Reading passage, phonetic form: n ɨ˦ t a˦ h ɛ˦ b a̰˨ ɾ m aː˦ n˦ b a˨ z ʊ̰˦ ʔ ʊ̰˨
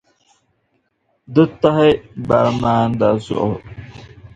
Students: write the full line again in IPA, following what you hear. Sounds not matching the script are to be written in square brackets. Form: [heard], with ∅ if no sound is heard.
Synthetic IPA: [d] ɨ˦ t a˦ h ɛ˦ b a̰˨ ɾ m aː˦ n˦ [d] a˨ z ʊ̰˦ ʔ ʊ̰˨